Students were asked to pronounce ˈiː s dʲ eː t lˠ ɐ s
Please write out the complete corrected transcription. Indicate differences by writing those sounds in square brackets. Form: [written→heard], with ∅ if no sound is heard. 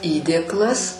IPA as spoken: ˈiː [s→∅] dʲ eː [t→k] lˠ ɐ s